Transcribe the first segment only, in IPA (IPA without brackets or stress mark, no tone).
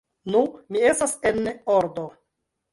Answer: n